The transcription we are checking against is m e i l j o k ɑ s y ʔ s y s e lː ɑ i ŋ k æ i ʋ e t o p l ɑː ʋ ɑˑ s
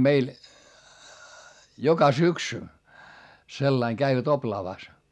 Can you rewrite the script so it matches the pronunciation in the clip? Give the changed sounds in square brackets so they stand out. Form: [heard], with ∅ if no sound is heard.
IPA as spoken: m e i l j o k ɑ s y [k] s y s e lː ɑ i ŋ k æ i ʋ [æ] t o p l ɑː ʋ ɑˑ s